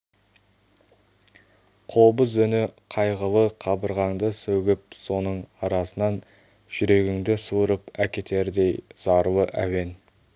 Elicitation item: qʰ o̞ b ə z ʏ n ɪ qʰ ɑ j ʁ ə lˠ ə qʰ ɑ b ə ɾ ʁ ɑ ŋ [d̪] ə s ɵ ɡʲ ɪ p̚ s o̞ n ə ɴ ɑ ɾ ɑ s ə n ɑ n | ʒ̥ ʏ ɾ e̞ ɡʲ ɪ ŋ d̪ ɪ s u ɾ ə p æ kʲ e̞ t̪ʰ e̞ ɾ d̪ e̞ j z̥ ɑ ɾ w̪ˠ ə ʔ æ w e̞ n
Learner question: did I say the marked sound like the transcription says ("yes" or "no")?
yes